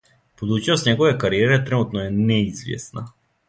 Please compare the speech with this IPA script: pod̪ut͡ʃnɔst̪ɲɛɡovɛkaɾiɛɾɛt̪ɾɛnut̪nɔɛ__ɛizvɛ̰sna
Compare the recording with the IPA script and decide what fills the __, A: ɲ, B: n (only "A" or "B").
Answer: B